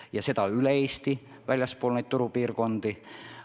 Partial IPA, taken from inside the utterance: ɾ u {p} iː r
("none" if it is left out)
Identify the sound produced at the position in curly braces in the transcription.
p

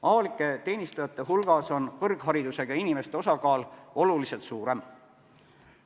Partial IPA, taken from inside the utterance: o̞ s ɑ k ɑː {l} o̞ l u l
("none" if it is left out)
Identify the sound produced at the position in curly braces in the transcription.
l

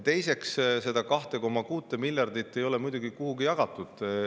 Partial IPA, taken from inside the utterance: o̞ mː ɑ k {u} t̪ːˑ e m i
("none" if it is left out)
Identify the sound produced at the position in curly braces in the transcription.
uː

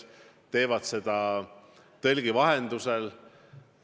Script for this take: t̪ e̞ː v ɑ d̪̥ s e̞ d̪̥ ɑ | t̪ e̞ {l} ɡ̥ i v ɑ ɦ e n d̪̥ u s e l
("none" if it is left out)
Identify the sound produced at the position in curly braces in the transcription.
l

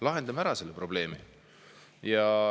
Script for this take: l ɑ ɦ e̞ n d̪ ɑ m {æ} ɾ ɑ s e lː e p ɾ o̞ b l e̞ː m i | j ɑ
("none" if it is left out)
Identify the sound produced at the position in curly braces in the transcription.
æ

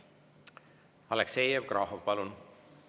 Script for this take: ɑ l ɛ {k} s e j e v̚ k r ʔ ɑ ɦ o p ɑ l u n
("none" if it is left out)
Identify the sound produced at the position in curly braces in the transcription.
k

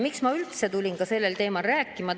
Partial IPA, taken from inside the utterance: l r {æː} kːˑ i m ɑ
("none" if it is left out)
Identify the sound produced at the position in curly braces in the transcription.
æː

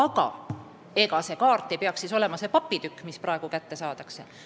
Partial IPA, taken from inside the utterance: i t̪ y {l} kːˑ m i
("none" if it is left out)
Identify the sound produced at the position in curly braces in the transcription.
none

